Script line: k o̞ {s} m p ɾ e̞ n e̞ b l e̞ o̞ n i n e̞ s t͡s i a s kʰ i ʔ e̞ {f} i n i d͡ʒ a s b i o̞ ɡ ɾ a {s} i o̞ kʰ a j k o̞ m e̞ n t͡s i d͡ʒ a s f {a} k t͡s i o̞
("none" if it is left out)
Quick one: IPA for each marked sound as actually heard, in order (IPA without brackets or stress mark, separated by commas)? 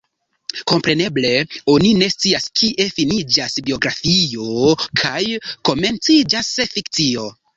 none, f, f, i